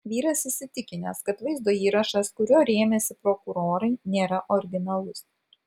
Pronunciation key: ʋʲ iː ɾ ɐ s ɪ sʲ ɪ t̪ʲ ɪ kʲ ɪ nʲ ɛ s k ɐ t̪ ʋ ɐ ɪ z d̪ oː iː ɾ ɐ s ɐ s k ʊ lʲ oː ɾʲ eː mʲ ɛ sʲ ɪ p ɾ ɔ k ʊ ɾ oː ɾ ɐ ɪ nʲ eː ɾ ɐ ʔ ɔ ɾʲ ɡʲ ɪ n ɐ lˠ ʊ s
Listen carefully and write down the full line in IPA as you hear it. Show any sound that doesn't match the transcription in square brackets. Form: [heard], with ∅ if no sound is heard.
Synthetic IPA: ʋʲ iː ɾ ɐ s ɪ sʲ ɪ t̪ʲ ɪ kʲ ɪ nʲ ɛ s k ɐ t̪ ʋ ɐ ɪ z d̪ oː iː ɾ ɐ [ʃ] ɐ s k ʊ [ɾʲ] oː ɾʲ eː mʲ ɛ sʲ ɪ p ɾ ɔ k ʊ ɾ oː ɾ ɐ ɪ nʲ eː ɾ ɐ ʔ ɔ ɾʲ ɡʲ ɪ n ɐ lˠ ʊ s